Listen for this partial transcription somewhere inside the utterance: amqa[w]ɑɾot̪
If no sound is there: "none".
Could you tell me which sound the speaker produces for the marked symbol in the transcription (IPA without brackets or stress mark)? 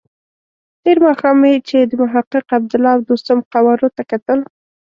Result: w